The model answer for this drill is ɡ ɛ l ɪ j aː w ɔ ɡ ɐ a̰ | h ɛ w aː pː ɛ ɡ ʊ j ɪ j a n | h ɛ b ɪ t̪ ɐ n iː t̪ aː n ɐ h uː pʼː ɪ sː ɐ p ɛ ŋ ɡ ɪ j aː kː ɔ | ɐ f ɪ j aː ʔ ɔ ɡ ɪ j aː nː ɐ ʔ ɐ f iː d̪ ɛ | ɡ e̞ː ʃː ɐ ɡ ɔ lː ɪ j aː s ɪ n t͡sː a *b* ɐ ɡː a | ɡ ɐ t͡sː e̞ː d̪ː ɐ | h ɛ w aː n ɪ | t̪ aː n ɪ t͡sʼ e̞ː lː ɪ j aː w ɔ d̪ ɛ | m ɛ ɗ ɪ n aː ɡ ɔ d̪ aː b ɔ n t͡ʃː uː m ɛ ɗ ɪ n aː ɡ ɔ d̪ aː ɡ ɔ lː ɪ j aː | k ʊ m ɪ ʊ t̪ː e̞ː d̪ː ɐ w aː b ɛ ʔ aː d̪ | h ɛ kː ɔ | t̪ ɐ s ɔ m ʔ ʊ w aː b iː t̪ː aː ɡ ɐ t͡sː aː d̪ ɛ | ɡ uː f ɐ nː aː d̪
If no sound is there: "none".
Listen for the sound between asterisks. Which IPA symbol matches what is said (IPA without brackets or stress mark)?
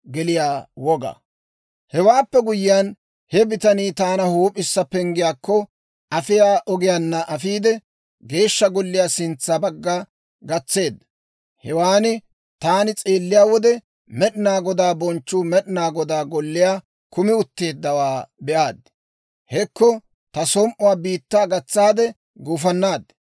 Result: b